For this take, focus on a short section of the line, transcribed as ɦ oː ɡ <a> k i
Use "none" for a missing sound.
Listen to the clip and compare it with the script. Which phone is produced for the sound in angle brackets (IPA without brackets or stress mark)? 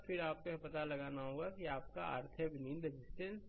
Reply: a